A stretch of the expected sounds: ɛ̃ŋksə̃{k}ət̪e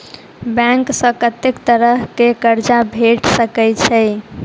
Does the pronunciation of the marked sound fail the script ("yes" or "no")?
no